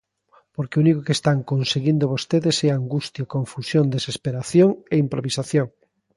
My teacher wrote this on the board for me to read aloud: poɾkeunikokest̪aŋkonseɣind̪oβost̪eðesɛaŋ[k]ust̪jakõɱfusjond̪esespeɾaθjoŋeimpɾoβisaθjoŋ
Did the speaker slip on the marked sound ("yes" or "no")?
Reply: yes